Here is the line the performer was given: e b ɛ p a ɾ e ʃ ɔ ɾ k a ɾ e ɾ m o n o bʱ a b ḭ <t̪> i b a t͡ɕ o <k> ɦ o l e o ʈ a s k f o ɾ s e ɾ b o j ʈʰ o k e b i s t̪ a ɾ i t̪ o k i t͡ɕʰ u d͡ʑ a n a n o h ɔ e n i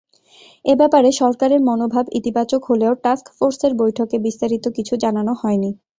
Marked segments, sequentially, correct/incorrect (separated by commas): correct, correct